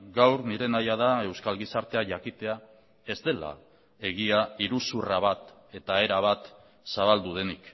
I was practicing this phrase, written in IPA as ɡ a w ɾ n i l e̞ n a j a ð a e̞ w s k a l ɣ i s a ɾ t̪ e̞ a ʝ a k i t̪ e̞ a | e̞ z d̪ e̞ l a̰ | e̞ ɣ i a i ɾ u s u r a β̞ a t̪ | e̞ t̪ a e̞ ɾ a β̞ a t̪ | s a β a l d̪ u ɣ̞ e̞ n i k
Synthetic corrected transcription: ɡ a w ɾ n i ɾ e̞ n a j a ð a e̞ w s k a l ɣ i s a ɾ t̪ e̞ a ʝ a k i t̪ e̞ a | e̞ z d̪ e̞ l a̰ | e̞ ɣ i a i ɾ u s u r a β̞ a t̪ | e̞ t̪ a e̞ ɾ a β̞ a t̪ | s a β a l d̪ u ð̞ e̞ n i k